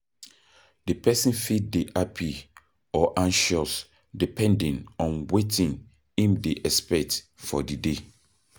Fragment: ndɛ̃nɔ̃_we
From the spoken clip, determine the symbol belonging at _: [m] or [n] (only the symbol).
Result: n